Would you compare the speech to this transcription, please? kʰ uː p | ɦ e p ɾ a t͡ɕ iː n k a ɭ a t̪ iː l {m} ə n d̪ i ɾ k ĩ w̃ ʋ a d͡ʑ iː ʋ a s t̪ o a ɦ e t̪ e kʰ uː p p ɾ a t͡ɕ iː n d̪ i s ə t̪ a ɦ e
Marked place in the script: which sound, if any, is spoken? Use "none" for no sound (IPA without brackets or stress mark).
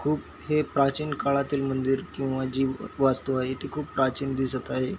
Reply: m